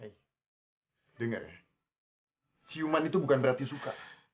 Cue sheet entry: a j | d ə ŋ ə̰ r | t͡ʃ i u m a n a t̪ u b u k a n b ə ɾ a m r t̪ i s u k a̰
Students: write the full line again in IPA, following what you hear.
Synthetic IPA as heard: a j | d ə ŋ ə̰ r | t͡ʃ i u m a n i t̪ u b u k a n b ə ɾ a r t̪ i s u k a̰